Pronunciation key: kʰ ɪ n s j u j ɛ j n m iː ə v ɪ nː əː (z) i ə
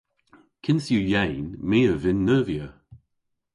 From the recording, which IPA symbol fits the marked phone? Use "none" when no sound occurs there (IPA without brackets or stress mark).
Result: v